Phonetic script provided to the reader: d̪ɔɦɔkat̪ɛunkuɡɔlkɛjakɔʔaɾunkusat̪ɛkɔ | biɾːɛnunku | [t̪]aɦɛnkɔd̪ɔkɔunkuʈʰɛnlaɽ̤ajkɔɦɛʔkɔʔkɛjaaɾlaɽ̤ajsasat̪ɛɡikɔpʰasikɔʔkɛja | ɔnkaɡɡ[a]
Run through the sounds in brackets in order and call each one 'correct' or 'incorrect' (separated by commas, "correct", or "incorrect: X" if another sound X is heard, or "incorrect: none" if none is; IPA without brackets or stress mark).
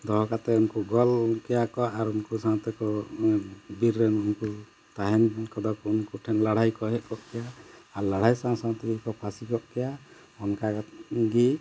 correct, incorrect: i